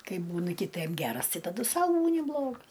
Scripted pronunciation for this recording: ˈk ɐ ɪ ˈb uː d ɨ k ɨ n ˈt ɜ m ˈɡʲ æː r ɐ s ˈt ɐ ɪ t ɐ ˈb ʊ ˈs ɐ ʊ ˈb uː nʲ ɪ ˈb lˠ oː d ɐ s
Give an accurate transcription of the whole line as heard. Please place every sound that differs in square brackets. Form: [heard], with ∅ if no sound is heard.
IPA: ˈk ɐ ɪ ˈb uː [n] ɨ k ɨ [∅] ˈt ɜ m ˈɡʲ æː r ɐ s ˈt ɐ ɪ t ɐ [ˈd] ʊ ˈs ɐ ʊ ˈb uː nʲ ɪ ˈb lˠ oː [ɡ] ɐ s